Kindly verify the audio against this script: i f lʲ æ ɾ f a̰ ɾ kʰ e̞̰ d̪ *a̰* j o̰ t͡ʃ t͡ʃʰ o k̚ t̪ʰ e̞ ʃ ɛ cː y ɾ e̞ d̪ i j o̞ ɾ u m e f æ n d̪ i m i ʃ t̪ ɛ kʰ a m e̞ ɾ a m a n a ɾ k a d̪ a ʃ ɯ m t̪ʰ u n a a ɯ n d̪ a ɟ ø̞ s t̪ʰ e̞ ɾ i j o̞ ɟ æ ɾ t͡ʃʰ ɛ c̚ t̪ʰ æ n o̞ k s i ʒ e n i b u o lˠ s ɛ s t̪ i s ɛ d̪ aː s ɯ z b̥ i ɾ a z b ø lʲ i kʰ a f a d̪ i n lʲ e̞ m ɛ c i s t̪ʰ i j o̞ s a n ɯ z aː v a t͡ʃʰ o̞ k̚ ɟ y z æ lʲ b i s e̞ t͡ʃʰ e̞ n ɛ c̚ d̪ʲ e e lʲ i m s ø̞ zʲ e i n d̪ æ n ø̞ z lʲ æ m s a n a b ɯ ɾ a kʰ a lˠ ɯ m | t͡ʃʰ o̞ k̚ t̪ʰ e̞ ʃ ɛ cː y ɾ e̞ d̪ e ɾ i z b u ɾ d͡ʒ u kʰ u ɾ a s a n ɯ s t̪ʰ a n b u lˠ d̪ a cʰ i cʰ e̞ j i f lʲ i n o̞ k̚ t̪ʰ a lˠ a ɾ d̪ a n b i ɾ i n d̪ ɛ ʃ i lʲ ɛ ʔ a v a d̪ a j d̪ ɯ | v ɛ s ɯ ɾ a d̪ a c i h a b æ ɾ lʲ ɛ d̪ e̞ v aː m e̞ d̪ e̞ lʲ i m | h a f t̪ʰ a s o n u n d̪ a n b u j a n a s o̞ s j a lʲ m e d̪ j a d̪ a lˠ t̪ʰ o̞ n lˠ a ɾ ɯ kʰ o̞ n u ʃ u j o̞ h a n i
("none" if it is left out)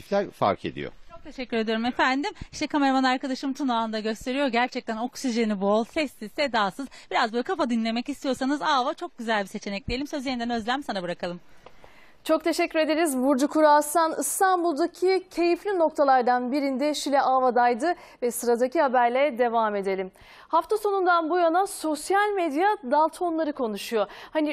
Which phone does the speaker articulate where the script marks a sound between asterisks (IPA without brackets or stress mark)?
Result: ḭ